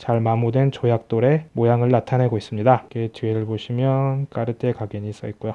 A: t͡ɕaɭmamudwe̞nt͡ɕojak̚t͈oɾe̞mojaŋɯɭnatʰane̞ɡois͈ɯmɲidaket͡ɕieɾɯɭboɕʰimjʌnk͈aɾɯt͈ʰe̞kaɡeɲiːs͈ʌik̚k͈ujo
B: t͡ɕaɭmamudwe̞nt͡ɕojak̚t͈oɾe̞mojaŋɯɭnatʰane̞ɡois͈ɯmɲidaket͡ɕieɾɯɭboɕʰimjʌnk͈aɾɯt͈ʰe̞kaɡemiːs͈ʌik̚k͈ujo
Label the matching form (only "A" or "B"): A